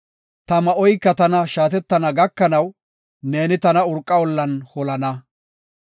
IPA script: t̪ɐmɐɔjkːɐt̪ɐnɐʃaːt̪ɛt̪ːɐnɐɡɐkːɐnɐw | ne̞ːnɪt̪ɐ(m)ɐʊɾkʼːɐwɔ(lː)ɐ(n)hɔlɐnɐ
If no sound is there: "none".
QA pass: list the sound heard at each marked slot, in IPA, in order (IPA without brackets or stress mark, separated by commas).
n, lː, n